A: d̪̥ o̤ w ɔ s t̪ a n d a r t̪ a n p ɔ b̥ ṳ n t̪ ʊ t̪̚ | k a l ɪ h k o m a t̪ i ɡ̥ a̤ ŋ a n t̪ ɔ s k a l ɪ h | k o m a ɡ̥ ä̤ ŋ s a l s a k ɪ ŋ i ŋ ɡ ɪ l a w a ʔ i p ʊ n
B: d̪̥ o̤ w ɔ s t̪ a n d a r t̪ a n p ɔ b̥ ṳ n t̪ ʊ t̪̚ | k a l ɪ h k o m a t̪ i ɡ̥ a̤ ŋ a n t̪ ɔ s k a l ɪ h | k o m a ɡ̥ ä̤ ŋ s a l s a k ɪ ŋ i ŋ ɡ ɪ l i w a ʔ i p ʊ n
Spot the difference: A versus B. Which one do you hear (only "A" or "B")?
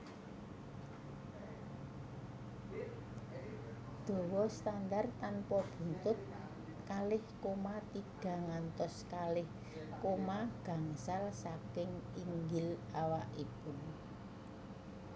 A